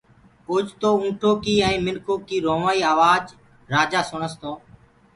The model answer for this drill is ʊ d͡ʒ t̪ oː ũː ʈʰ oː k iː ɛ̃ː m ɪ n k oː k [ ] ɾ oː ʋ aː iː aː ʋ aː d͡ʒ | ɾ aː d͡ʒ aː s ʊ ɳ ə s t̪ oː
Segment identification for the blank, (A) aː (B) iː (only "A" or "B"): B